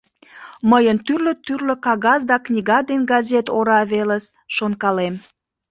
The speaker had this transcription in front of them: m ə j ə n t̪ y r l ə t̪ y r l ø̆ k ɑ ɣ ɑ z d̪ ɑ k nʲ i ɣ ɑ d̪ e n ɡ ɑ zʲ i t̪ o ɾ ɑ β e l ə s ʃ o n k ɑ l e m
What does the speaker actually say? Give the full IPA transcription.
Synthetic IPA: m ə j ə n t̪ y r l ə t̪ y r l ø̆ k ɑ ɣ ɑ z d̪ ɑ k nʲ i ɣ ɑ d̪ e n ɡ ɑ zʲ e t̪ o ɾ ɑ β e l ə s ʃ o n k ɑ l e m